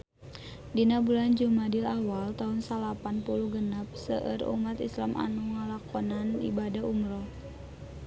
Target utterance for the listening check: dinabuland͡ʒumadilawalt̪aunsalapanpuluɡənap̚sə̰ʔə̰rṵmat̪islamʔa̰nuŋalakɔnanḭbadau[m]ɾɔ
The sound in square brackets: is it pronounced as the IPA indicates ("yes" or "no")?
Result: yes